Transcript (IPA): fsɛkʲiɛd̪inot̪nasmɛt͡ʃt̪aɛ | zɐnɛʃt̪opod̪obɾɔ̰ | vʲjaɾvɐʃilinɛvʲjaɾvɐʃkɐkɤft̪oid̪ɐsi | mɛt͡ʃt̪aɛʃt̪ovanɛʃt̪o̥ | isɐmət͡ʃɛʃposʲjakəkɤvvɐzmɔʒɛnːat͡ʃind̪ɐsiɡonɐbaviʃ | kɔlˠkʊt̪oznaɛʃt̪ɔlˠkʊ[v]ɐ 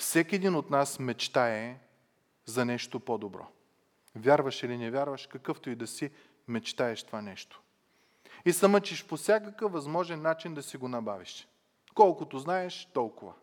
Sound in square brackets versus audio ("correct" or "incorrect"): correct